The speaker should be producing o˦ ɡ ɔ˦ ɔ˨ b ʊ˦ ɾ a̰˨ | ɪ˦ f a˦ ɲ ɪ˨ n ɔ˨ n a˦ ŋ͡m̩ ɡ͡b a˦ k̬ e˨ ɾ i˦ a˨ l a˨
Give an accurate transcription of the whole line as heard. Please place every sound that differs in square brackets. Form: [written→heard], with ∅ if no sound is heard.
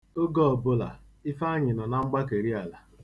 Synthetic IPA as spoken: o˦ ɡ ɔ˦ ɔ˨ b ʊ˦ [ɾ→l] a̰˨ | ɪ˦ f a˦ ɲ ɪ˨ n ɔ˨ n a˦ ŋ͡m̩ ɡ͡b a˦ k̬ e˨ ɾ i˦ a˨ l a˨